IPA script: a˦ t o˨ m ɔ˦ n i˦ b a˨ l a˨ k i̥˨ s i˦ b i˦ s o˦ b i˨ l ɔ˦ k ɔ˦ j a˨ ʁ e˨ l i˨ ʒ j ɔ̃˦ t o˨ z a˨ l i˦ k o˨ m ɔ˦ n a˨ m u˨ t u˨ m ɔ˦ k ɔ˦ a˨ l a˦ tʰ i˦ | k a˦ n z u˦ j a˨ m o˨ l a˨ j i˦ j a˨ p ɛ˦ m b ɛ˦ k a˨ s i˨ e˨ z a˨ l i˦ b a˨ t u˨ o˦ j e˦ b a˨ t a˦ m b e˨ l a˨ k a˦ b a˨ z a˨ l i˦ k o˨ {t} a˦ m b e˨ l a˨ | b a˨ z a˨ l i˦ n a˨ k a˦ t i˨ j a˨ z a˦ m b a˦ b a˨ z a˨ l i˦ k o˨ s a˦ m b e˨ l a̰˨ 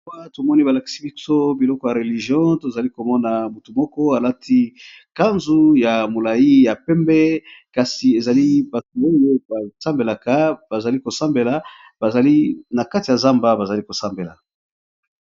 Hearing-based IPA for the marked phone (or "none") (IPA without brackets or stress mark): s